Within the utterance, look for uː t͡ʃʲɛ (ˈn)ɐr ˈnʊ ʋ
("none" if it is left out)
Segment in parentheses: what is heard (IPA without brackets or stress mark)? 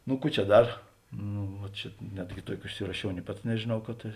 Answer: d